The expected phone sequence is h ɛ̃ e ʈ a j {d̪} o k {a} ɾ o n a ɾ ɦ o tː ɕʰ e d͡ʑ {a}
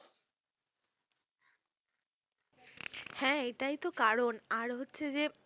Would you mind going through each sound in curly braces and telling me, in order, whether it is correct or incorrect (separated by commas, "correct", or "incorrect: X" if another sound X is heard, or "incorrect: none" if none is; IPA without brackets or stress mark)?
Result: incorrect: t̪, correct, incorrect: e